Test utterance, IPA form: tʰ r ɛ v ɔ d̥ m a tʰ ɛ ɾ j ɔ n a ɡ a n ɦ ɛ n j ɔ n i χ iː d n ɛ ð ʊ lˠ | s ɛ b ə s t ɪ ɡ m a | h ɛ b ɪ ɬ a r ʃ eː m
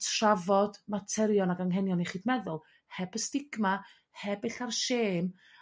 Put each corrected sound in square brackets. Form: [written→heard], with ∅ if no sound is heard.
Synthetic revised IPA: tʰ r [ɛ→a] v ɔ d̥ m a tʰ ɛ ɾ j ɔ n a ɡ a [n→ŋ] ɦ ɛ n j ɔ n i χ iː d [n→m] ɛ ð ʊ lˠ | [s→h] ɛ b ə s t ɪ ɡ m a | h ɛ b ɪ ɬ a r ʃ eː m